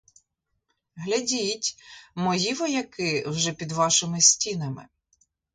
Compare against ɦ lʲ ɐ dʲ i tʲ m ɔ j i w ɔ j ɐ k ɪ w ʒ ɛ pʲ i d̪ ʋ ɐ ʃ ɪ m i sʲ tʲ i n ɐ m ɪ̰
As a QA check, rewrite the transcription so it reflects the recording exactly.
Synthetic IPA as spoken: ɦ lʲ ɐ dʲ i tʲ m ɔ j i ʋ ɔ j ɐ k ɪ w ʒ ɛ pʲ i d̪ ʋ ɑ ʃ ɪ m ɪ sʲ tʲ i n ɐ m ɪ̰